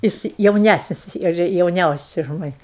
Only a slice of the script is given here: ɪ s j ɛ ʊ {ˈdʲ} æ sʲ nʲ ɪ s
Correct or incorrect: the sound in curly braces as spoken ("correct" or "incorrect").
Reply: incorrect